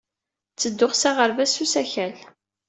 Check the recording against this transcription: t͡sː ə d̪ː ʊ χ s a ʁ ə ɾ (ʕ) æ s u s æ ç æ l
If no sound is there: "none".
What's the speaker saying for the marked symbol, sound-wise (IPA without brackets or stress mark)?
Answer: v